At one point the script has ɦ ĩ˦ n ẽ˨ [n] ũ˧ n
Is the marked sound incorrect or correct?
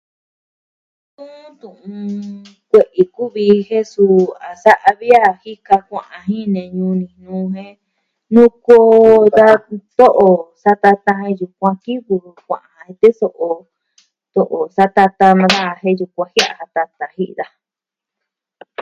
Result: incorrect